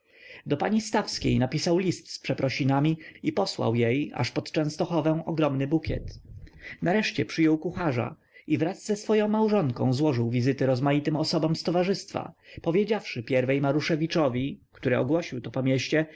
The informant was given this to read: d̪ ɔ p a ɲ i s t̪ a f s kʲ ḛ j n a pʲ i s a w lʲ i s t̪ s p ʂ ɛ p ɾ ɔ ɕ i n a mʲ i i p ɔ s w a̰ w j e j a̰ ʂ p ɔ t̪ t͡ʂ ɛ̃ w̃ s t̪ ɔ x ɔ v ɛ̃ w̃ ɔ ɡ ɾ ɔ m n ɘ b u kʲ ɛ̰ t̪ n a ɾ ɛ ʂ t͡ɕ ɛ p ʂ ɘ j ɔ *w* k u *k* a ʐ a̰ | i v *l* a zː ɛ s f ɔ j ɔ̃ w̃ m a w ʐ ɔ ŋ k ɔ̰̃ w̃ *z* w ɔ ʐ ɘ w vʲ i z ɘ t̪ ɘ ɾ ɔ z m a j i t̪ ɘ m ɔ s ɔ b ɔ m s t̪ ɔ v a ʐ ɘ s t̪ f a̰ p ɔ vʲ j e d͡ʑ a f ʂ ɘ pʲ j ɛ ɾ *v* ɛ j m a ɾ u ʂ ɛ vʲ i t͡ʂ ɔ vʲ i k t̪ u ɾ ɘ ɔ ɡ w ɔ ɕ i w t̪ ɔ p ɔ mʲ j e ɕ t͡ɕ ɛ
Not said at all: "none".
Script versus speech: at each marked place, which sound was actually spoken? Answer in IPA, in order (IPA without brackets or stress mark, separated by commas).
w, x, ɾ, z, v